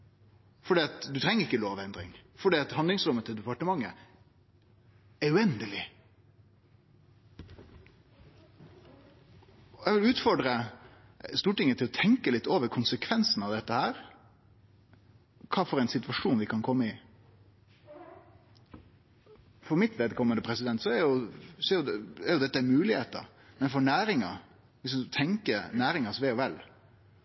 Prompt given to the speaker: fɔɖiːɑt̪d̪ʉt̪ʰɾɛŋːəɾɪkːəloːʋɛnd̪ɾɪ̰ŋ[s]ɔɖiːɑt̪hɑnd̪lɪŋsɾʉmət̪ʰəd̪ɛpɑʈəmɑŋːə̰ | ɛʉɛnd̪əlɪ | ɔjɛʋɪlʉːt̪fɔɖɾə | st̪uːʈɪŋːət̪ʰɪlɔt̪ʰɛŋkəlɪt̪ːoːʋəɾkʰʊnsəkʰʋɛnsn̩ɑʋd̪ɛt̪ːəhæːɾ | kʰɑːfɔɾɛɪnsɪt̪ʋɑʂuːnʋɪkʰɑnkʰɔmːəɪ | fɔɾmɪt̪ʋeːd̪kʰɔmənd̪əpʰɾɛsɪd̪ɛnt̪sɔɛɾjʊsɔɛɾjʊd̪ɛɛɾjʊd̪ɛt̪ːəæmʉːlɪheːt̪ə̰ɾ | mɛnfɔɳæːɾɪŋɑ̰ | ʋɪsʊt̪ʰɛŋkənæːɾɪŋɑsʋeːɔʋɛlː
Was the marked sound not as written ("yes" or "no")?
yes